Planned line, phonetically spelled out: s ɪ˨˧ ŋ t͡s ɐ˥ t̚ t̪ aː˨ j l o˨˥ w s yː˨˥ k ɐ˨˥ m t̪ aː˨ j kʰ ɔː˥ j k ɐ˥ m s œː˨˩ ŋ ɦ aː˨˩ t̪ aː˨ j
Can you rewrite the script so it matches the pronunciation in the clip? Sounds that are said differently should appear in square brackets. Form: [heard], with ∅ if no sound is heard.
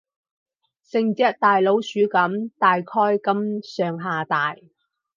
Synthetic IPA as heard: s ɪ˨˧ ŋ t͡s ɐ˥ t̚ t̪ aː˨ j l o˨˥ w s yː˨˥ k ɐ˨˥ m t̪ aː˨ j kʰ ɔː˥ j k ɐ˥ m s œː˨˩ ŋ ɦ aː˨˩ t̪ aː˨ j